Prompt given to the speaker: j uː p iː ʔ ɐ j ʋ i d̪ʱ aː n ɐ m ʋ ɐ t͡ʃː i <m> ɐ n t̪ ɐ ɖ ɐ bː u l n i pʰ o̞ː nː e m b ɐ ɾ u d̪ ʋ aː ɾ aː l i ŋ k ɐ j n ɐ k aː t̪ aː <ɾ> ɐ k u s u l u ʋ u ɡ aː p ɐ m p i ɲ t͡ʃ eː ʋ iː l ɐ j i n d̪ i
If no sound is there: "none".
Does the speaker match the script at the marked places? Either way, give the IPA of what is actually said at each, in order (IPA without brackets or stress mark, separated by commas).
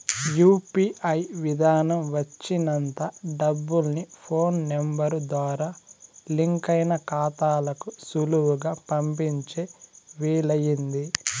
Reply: n, l